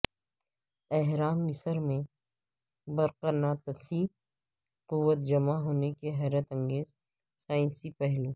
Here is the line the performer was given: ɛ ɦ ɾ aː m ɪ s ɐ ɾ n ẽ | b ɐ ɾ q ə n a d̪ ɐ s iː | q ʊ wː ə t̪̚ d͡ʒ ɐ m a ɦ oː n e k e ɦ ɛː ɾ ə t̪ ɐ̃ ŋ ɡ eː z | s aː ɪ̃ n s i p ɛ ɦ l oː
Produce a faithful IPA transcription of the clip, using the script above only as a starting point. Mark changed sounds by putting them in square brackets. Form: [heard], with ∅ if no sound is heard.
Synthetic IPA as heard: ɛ ɦ ɾ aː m ɪ s [ə] ɾ [m] ẽ | b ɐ ɾ q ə n a [t̪] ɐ s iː | q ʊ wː ə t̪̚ d͡ʒ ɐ m a ɦ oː n e k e ɦ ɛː ɾ ə t̪ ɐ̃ ŋ ɡ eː z | s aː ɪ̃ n s i p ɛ ɦ l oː